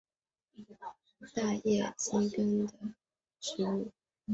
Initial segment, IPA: t̪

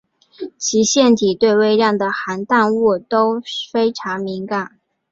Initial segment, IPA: t͡ɕʰ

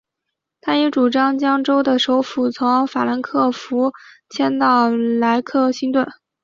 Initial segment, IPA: t̪ʰ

